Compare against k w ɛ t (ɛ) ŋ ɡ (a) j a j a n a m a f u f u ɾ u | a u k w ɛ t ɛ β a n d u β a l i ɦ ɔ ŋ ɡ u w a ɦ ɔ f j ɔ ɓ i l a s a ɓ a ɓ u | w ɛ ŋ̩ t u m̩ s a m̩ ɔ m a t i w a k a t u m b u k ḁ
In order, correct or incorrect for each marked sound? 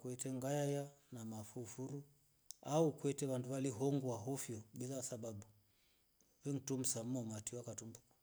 correct, correct

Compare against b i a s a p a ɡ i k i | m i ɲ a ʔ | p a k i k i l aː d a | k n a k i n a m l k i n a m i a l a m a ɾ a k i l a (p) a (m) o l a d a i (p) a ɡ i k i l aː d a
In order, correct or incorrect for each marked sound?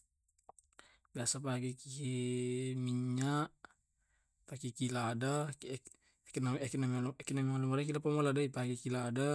correct, correct, correct

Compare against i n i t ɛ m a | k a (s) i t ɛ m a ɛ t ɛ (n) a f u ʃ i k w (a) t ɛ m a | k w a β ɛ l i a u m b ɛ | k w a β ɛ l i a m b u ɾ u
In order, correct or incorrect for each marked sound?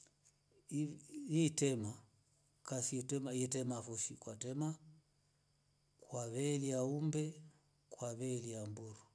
correct, incorrect: m, correct

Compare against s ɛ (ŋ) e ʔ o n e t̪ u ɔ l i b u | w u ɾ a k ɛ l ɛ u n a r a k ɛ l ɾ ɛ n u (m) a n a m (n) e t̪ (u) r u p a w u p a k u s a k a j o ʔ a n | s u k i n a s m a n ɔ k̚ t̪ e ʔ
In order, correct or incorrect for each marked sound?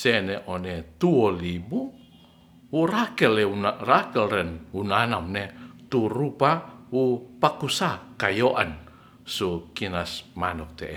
incorrect: n, incorrect: n, correct, correct

